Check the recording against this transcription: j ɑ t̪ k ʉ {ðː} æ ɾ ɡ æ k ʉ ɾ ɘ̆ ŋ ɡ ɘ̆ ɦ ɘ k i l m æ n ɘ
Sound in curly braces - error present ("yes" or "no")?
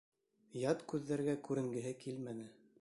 no